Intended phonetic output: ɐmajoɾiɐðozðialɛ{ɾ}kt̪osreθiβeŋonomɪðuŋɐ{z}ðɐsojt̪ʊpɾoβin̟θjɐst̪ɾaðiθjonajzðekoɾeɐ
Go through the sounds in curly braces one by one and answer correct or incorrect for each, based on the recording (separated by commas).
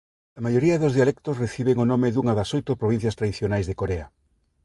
incorrect, incorrect